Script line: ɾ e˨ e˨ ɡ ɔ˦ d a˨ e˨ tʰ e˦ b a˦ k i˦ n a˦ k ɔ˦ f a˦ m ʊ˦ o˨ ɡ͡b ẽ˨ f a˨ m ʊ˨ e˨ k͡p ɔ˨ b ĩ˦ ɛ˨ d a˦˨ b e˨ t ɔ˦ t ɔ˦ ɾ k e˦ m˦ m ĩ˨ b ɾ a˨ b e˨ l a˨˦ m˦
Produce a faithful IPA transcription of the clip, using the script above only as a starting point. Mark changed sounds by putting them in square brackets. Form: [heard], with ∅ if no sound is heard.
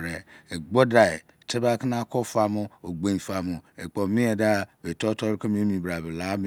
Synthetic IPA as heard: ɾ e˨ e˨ [ɡ͡b] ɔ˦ d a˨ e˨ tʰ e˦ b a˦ k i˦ n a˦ k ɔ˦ f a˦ m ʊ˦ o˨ ɡ͡b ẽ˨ f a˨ m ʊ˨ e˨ k͡p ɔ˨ [m] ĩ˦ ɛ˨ d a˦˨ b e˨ t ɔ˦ t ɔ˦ ɾ k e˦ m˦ m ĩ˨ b ɾ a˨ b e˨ l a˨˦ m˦